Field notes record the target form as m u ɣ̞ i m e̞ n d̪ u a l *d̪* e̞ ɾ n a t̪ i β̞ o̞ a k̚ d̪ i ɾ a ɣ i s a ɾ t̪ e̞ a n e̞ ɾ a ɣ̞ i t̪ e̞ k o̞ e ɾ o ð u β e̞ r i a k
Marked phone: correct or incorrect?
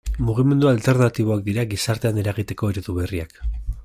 incorrect: t̪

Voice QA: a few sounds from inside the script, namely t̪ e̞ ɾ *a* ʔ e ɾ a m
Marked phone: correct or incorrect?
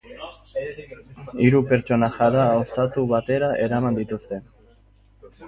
correct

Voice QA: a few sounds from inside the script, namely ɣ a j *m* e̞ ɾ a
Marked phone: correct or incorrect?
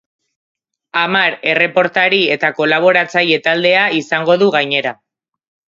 incorrect: ɲ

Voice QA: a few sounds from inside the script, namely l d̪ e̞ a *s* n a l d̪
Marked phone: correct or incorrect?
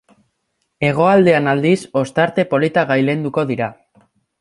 incorrect: none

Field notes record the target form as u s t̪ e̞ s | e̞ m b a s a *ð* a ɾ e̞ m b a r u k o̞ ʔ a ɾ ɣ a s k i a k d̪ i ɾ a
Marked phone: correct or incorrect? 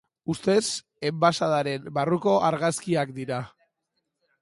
correct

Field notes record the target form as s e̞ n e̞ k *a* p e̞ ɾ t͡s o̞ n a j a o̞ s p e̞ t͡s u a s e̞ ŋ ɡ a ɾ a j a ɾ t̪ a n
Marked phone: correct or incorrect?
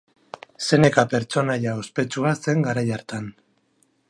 correct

